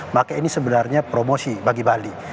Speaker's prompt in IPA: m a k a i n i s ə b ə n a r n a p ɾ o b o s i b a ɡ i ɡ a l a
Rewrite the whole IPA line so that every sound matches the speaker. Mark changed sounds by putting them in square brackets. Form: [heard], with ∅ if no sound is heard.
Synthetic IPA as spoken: m a k a i n i s ə b ə n a r [ɲ] a p ɾ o [m] o s i b a ɡ i [b] a l [i]

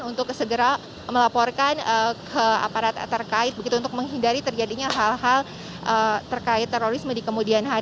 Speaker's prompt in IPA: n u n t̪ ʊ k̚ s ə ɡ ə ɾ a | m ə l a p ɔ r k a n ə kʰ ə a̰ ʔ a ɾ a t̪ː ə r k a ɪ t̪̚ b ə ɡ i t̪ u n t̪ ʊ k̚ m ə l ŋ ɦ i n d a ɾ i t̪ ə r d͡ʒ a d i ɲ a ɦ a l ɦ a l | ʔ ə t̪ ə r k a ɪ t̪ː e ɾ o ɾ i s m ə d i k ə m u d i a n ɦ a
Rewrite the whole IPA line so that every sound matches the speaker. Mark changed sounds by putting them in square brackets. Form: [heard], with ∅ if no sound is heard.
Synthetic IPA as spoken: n u n t̪ ʊ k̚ s ə ɡ ə ɾ a | m ə l a p ɔ r k a n ə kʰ ə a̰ [p] a ɾ a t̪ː ə r k a ɪ t̪̚ b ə ɡ i t̪ u n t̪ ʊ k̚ m ə [∅] ŋ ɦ i n d a ɾ i t̪ ə r d͡ʒ a d i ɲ a ɦ a l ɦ a l | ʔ ə t̪ ə r k a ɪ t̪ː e ɾ o ɾ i s m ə d i k ə m u d i a n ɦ a

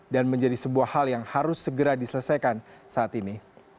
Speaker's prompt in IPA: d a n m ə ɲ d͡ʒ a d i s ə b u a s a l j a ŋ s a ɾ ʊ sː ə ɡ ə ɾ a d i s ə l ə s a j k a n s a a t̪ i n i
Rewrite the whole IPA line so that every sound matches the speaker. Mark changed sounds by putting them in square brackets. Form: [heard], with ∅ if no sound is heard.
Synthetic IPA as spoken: d a n m ə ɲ d͡ʒ a d i s ə b u a [h] a l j a ŋ [h] a ɾ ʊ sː ə ɡ ə ɾ a d i s ə l ə s a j k a n s a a t̪ i n i

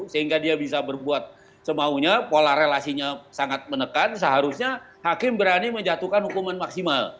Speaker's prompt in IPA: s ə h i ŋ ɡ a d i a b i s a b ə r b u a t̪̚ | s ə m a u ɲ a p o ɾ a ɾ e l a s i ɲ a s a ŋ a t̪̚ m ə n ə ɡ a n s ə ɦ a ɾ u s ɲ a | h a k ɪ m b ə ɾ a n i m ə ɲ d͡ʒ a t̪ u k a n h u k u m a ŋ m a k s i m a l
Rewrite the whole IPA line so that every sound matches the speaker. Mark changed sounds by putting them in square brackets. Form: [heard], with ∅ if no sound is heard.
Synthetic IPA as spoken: s ə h i ŋ ɡ a d i a b i s a b ə r b u a t̪̚ | s ə m a u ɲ a p o [l] a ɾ e l a s i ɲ a s a ŋ a t̪̚ m ə n ə [k] a n s ə ɦ a ɾ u s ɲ a | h a k ɪ m b ə ɾ a n i m ə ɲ d͡ʒ a t̪ u k a n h u k u m a [n] m a k s i m a l

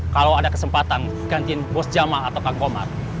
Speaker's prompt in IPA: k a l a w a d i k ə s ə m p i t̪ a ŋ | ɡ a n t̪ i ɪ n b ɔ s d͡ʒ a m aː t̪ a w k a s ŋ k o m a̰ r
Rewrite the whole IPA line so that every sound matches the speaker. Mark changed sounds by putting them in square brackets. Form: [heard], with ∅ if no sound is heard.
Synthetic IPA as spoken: k a l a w a d [a] k ə s ə m p [a] t̪ a [n] | ɡ a n t̪ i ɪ n b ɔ s d͡ʒ a m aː t̪ a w k a [∅] ŋ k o m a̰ r

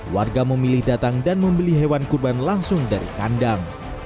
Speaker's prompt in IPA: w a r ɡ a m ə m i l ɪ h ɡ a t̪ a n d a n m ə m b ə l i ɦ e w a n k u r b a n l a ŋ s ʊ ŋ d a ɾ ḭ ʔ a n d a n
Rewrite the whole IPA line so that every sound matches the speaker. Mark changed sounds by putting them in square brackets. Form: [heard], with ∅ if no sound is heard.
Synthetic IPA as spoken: w a r ɡ a m ə m i l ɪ h [d] a t̪ a [ŋ] d a n m ə m b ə l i ɦ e w a n k u r b a n l a ŋ s ʊ ŋ d a ɾ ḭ [k] a n d a [ŋ]

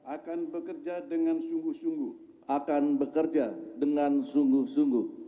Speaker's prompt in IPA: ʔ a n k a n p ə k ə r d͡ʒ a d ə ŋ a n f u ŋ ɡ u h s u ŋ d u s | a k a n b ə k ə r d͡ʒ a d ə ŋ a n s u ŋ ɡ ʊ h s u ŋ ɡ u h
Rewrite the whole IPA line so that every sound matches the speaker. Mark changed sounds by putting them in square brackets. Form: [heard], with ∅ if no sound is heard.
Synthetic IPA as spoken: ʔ a [∅] k a n [b] ə k ə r d͡ʒ a d ə ŋ a n [s] u ŋ ɡ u h s u ŋ [ɡ] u [h] | a k a n b ə k ə r d͡ʒ a d ə ŋ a n s u ŋ ɡ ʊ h s u ŋ ɡ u h

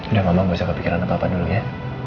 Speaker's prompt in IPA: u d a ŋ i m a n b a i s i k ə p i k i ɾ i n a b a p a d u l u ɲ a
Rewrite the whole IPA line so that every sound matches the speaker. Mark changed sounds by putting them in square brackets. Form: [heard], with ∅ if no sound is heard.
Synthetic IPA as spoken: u d a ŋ [a] m a [ŋ] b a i s [a] k ə p i k i ɾ [a] n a [p] a p a d u l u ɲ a

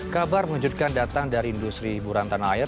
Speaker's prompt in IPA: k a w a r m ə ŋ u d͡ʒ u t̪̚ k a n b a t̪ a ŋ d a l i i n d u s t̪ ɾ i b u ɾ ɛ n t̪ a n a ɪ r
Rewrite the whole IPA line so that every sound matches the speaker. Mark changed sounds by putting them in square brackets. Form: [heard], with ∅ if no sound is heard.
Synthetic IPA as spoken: k a [b] a r m ə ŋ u d͡ʒ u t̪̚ k a n [d] a t̪ a ŋ d a [ɾ] i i n d u s t̪ ɾ i b u ɾ [a] n t̪ a n a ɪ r

